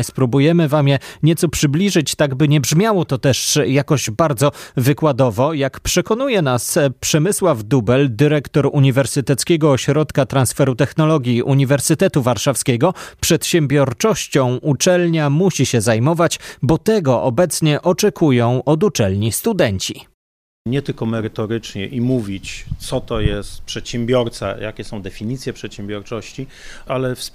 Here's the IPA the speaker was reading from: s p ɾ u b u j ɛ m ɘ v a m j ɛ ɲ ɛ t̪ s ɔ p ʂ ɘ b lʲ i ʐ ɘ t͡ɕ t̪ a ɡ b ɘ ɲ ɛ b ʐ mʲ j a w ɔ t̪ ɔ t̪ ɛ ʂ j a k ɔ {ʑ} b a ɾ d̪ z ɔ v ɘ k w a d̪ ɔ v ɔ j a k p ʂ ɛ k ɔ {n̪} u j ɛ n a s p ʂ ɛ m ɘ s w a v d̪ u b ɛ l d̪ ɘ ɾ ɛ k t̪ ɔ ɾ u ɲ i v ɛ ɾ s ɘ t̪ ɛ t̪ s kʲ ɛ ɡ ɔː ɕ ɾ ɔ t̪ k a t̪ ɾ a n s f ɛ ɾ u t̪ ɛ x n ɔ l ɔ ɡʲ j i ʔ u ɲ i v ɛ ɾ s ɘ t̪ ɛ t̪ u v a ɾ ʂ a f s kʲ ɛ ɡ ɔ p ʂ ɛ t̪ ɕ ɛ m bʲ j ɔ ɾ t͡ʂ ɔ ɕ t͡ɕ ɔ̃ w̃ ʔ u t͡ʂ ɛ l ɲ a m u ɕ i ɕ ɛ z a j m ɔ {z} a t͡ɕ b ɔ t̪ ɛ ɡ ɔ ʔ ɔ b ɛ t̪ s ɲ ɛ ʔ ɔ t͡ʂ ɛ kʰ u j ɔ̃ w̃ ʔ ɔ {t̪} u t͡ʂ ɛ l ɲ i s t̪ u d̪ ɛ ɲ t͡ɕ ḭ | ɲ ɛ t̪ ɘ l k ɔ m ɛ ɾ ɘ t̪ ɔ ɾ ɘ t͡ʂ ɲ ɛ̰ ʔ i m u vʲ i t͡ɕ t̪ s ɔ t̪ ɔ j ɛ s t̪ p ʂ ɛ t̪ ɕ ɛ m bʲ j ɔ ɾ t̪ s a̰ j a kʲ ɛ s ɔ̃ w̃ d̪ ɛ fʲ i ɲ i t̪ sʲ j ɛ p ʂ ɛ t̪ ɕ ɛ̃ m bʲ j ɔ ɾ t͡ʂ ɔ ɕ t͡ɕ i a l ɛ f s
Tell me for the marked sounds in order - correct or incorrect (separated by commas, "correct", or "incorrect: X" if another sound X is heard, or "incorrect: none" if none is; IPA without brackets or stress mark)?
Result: correct, correct, incorrect: v, incorrect: d̪